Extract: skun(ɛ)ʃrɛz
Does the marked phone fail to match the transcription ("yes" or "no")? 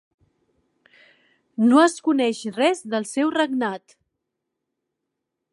no